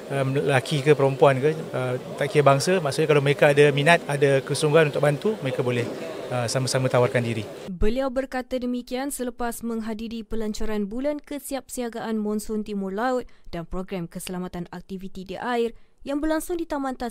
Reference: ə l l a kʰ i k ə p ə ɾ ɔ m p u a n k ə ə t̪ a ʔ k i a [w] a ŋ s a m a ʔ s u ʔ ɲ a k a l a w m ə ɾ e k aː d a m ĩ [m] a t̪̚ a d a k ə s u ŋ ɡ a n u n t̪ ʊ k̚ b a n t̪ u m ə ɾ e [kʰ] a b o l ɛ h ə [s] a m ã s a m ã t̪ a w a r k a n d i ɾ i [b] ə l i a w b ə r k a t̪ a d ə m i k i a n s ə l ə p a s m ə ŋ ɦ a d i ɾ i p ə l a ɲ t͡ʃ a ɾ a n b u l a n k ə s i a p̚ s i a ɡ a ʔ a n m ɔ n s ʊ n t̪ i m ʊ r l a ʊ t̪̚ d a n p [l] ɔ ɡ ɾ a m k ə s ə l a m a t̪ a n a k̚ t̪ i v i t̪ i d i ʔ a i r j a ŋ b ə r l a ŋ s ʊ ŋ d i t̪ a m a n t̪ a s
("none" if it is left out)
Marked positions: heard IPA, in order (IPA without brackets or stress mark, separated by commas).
b, n, k, s, b, ɾ